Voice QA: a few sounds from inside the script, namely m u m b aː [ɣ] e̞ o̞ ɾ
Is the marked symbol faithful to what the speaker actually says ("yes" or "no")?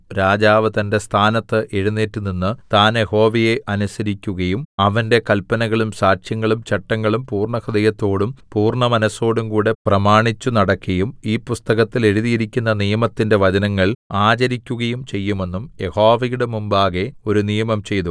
yes